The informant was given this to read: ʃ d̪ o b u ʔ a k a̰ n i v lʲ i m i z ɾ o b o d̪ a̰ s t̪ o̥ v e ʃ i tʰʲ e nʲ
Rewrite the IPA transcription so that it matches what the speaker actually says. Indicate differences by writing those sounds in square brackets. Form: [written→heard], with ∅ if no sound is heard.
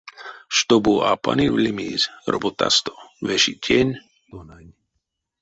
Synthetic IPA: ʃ [d̪→t̪] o b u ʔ a [k→p] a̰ n i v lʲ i m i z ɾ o b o [d̪→t̪] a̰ s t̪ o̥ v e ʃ i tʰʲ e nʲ